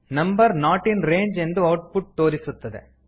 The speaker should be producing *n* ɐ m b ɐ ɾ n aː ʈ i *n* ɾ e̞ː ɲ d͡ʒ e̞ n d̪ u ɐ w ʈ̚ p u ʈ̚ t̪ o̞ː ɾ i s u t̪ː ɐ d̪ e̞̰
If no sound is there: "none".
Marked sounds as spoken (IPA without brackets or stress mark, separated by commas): n, n